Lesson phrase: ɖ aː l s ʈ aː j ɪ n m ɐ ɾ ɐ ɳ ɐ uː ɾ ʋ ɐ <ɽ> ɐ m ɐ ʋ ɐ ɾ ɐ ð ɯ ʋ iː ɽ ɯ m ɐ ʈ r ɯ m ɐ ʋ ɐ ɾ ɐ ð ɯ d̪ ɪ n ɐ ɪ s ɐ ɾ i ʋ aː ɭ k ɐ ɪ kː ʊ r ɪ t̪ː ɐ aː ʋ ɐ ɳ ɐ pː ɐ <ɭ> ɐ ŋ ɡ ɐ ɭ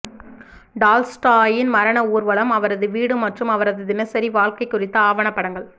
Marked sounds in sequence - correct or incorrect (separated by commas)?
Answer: incorrect, incorrect